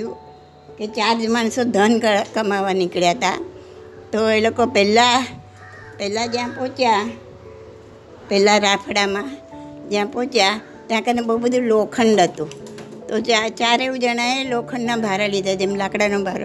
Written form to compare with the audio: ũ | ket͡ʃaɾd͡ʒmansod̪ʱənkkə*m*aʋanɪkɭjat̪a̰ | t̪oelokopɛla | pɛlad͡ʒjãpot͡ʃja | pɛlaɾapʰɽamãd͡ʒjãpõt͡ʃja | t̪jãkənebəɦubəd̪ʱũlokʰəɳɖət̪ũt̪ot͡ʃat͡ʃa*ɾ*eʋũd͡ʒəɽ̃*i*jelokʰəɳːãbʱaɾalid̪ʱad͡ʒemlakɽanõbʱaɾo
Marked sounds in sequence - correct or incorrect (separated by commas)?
correct, correct, incorrect